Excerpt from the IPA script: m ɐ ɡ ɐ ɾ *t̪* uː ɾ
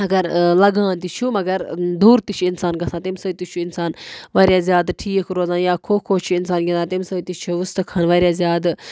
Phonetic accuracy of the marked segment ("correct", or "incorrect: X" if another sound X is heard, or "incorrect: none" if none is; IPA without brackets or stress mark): incorrect: d̪